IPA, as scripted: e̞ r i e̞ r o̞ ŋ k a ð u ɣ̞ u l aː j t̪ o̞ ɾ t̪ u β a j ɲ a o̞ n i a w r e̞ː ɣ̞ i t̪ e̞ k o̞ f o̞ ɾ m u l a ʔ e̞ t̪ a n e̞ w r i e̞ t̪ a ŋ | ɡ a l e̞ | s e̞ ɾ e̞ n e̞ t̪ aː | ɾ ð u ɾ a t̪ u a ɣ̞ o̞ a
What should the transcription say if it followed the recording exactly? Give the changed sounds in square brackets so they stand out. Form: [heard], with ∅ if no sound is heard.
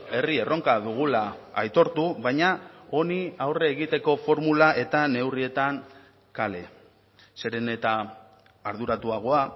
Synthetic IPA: e̞ r i e̞ r o̞ ŋ k a ð u ɣ̞ u l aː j t̪ o̞ ɾ t̪ u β a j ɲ a o̞ n i a w r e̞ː ɣ̞ i t̪ e̞ k o̞ f o̞ ɾ m u l a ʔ e̞ t̪ a n e̞ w r i e̞ t̪ a ŋ | [k] a l e̞ | s e̞ ɾ e̞ n e̞ t̪ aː | ɾ ð u ɾ a t̪ u a ɣ̞ o̞ a